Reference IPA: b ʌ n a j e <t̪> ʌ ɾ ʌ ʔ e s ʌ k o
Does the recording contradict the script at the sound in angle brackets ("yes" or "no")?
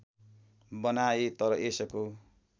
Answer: no